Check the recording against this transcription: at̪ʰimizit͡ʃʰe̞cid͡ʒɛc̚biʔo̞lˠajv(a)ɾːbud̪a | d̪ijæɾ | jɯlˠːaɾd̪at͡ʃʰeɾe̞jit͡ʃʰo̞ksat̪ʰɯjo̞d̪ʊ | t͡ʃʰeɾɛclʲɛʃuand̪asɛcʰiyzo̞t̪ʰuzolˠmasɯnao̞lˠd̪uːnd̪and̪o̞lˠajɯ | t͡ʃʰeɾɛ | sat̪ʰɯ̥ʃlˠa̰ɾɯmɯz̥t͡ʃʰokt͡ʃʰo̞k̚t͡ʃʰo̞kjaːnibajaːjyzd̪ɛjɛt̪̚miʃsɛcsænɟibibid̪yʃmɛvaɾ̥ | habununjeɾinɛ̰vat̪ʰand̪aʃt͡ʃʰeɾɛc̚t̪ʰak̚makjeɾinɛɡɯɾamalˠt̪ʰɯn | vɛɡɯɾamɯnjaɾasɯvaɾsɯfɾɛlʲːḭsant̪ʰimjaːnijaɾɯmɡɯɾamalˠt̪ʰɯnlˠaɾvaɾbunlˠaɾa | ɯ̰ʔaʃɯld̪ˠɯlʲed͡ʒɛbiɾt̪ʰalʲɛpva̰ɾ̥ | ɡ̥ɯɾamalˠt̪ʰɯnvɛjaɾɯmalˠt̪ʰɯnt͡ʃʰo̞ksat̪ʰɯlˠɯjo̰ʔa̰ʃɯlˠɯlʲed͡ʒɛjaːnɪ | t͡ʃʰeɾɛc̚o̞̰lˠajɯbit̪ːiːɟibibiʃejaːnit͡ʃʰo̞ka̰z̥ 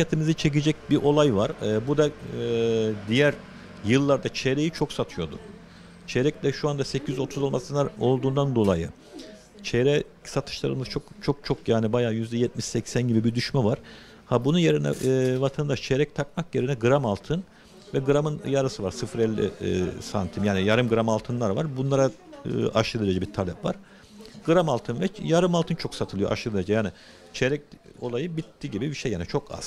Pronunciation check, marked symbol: correct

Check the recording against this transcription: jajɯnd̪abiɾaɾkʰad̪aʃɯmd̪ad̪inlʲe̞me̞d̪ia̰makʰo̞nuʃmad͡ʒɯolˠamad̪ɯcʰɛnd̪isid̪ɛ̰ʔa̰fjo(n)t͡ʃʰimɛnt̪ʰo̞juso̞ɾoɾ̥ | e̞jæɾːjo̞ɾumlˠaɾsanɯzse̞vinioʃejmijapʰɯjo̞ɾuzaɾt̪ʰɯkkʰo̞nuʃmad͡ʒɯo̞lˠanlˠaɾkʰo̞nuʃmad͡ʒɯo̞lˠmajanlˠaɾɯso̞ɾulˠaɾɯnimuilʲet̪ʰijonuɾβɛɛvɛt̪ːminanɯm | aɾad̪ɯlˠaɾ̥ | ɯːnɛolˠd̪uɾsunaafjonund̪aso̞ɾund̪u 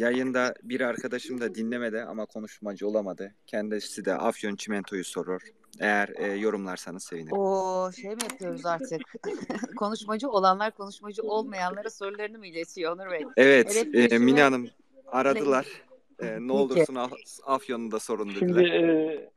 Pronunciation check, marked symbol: correct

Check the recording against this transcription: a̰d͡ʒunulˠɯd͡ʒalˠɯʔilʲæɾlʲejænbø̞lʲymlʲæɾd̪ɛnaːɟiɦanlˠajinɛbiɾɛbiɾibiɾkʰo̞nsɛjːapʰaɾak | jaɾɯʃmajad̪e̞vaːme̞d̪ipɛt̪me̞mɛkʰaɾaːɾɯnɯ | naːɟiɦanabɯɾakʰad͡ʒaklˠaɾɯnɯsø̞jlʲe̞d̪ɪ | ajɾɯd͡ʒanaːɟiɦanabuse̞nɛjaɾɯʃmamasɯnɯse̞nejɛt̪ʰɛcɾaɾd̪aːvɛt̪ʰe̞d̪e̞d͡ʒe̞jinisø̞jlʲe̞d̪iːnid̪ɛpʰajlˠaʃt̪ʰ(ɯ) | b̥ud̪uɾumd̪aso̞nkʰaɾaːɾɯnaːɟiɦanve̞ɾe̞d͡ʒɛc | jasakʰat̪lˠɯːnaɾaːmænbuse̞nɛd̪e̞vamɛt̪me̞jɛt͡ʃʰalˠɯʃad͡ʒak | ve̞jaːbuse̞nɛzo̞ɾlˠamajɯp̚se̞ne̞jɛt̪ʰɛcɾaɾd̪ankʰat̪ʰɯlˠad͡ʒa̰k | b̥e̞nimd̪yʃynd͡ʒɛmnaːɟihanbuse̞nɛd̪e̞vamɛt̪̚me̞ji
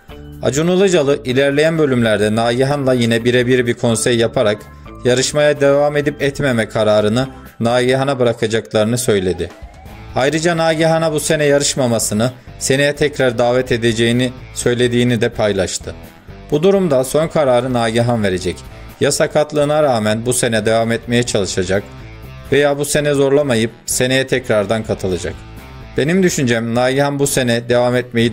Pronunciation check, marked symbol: correct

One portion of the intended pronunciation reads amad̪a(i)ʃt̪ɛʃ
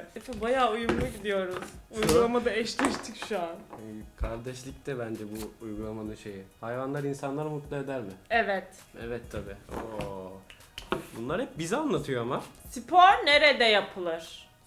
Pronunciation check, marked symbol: incorrect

